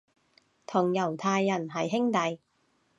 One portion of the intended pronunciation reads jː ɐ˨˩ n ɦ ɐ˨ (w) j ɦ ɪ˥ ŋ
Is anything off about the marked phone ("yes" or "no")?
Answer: yes